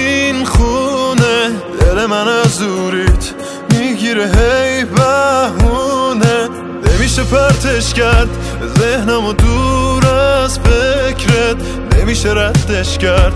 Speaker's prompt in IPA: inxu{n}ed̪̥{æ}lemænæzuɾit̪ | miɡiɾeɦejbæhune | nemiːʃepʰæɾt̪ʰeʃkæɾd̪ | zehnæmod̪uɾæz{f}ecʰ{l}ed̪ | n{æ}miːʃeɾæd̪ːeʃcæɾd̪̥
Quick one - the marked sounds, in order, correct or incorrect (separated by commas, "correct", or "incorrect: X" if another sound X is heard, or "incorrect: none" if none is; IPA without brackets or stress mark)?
correct, incorrect: e, correct, incorrect: ɾ, incorrect: e